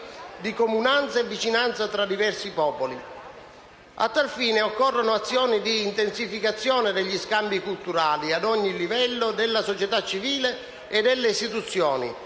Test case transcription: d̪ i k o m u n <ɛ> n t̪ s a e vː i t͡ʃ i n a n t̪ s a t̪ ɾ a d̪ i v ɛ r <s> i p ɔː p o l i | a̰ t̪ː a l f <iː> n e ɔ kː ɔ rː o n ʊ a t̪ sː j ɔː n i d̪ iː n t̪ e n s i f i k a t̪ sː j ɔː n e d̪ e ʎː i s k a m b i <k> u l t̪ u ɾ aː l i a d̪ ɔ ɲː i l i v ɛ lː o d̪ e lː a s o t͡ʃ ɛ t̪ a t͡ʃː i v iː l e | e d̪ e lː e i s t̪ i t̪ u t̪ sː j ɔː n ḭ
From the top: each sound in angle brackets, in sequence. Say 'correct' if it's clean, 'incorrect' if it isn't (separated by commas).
incorrect, correct, correct, correct